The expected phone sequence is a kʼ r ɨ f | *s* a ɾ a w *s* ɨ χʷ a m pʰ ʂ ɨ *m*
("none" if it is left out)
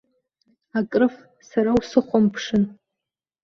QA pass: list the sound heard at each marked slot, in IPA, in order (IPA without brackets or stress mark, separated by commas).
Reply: s, s, n